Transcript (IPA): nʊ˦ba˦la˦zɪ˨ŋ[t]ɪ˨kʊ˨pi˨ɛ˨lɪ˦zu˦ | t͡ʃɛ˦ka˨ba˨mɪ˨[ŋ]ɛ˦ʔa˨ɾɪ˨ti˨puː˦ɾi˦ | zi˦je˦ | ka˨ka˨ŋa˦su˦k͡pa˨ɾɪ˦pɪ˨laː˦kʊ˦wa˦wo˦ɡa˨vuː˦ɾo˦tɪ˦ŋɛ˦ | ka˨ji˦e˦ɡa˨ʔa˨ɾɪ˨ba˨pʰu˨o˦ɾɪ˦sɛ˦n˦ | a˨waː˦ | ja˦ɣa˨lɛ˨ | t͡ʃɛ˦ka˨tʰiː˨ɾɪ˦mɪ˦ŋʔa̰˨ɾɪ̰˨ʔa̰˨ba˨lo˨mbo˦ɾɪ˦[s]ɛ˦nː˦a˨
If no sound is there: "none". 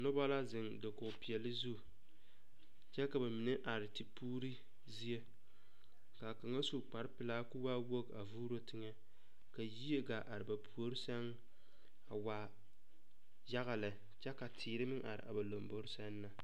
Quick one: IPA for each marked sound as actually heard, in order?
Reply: d, n, s

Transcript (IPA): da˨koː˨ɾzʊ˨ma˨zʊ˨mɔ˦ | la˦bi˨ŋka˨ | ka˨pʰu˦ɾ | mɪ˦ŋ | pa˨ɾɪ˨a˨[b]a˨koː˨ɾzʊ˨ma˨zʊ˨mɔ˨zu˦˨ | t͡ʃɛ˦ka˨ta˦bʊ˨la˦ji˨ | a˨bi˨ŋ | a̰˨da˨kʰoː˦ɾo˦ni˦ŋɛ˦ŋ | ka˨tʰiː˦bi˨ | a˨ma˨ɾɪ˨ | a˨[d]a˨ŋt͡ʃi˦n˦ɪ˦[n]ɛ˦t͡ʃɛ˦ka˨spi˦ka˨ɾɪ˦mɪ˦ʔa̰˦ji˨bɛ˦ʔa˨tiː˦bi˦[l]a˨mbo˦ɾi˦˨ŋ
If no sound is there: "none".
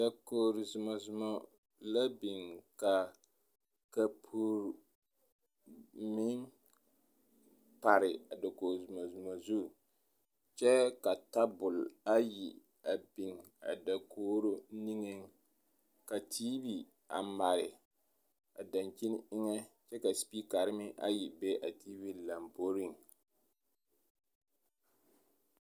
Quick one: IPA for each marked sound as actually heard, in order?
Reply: d, d, ŋ, l

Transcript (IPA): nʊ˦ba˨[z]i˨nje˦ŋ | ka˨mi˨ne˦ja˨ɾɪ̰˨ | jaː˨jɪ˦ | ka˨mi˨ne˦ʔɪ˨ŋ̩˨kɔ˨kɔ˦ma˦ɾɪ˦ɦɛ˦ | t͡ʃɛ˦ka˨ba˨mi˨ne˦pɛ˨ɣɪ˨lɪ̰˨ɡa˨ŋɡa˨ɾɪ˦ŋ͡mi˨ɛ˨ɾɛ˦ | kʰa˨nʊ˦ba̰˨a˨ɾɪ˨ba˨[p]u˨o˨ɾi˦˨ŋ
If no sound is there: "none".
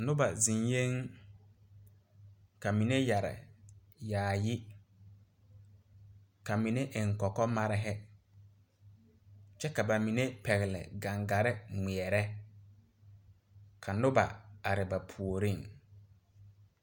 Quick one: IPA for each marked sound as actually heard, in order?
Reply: z, pʰ

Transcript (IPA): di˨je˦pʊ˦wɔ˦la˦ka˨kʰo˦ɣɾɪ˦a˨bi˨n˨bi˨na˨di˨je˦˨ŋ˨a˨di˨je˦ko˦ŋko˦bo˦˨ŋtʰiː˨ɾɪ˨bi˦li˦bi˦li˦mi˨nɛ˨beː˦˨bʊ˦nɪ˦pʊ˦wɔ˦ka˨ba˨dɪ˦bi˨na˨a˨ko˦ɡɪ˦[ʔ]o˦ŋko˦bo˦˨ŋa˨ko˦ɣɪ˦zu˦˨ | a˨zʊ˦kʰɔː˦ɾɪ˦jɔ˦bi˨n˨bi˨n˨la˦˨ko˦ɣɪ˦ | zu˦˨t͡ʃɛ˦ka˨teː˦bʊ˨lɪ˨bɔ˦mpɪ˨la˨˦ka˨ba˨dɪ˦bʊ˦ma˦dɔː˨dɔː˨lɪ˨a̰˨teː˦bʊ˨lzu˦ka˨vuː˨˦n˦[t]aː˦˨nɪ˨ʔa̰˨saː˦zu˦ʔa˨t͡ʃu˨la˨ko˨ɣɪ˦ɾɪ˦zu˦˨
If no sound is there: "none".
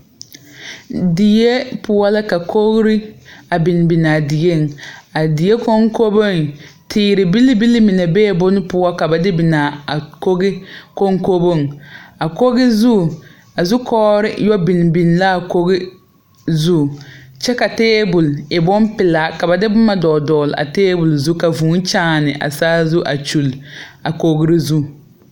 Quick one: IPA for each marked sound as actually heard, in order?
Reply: k, t͡ʃ

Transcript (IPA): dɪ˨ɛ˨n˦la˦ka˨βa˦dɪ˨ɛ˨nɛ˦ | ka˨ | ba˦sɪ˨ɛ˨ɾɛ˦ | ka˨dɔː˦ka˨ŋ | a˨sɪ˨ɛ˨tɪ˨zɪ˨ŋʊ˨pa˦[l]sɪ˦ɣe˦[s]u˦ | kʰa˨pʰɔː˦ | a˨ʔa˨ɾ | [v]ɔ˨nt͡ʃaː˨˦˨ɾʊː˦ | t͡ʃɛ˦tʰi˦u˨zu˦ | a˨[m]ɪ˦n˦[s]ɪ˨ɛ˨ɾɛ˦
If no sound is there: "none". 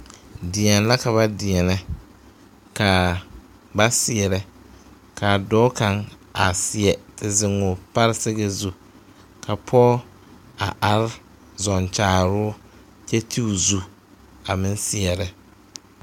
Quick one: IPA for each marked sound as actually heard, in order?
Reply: ɾ, z, z, m, s

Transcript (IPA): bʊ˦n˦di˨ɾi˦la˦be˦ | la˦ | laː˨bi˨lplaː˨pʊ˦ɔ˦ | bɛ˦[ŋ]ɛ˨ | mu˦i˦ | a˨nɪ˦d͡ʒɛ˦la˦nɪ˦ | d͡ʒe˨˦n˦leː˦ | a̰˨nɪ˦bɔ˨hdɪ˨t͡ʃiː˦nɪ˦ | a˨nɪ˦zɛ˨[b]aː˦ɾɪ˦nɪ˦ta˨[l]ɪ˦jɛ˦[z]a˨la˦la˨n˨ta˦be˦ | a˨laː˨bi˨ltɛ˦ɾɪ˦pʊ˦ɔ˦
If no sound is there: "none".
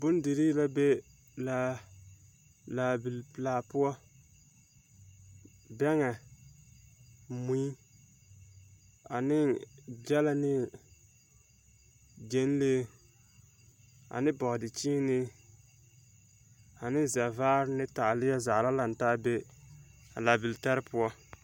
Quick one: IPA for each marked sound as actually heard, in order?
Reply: ŋ, v, l, z

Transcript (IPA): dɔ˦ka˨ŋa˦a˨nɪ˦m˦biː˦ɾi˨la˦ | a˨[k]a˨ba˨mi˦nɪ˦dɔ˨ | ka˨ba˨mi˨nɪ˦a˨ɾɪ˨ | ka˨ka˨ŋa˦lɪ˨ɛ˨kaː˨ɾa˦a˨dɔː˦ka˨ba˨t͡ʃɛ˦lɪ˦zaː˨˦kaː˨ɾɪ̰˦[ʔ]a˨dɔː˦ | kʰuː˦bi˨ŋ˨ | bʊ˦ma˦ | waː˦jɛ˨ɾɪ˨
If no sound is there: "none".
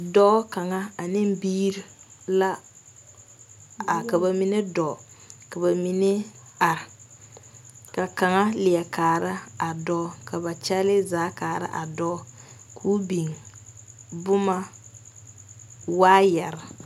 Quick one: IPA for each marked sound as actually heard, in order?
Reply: k, ʔ

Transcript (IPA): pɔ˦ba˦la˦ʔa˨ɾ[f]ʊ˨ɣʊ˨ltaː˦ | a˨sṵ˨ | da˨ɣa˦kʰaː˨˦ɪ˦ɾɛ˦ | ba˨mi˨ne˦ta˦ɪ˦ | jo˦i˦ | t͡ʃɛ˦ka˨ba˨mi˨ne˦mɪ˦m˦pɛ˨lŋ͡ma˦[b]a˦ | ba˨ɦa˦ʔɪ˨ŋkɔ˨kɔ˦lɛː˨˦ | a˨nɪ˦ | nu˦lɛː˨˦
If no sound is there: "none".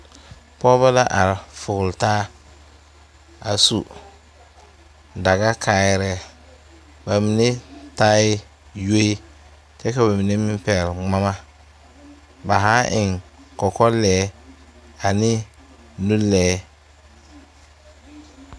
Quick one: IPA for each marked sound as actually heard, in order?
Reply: f, m

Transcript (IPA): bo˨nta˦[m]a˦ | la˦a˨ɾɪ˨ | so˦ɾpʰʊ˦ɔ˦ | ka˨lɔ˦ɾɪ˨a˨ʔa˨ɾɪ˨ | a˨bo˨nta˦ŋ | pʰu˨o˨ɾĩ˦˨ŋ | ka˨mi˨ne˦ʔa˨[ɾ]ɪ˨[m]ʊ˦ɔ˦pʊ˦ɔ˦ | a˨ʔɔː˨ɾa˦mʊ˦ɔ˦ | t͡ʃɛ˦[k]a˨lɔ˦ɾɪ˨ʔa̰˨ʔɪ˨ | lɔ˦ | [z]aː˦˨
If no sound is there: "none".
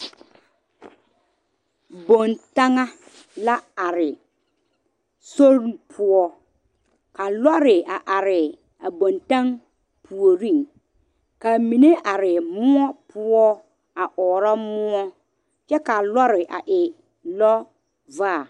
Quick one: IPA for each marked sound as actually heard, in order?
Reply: ŋ, ɾ, m, k, v

